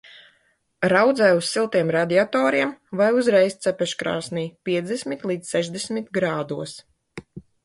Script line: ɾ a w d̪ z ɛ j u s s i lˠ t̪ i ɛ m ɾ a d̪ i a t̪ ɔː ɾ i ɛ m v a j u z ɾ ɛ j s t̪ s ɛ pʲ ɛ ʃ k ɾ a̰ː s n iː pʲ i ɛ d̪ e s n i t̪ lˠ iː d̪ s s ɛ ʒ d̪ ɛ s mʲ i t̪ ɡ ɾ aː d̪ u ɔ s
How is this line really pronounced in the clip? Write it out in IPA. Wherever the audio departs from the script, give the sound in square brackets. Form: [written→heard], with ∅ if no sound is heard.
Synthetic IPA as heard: ɾ a w d̪ z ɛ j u s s i lˠ t̪ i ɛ m ɾ a d̪ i a t̪ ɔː ɾ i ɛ m v a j u z ɾ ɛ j s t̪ s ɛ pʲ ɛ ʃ k ɾ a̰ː s n iː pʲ i ɛ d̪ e s [n→m] i t̪ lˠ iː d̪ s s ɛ ʒ d̪ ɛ s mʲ i t̪ ɡ ɾ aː d̪ u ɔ s